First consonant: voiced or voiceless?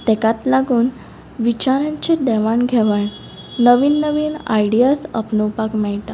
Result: voiceless